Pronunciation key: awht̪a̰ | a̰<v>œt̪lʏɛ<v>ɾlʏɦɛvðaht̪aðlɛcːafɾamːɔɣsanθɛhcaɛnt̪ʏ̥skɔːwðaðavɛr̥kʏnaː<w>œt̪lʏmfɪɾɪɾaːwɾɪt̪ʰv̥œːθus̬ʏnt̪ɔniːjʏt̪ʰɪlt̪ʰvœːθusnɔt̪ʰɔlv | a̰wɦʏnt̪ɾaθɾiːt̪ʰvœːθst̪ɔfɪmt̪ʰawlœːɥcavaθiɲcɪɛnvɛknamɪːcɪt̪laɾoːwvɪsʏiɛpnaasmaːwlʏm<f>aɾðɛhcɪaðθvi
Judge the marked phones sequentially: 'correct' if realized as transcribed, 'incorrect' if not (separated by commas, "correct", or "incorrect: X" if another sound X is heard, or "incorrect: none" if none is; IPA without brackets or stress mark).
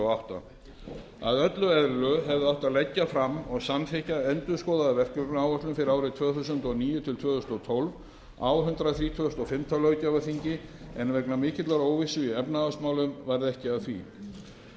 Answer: incorrect: ð, incorrect: ð, correct, incorrect: v